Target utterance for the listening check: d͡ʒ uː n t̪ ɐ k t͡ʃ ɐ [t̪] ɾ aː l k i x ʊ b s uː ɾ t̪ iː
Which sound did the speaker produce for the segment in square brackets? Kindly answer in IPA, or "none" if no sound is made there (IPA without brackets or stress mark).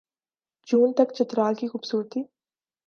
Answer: t̪